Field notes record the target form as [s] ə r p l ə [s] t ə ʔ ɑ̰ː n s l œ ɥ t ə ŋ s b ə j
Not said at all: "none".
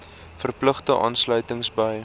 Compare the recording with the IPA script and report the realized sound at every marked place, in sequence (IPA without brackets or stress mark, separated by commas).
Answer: f, χ